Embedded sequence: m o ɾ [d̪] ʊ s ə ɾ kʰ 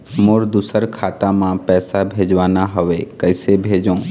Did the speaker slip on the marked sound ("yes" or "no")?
no